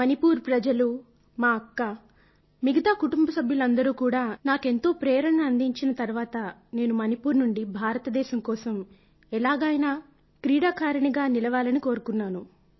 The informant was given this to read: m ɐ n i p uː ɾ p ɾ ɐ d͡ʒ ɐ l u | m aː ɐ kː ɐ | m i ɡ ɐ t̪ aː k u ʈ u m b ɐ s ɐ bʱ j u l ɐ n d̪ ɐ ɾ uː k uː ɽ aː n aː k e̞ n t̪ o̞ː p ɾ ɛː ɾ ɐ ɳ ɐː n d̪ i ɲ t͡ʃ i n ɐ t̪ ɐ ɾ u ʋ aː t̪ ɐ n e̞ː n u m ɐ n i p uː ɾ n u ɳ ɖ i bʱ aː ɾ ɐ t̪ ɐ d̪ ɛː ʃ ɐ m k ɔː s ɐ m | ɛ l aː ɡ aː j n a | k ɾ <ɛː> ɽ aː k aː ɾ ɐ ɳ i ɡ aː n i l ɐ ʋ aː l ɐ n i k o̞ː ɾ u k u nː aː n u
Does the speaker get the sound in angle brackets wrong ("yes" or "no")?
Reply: yes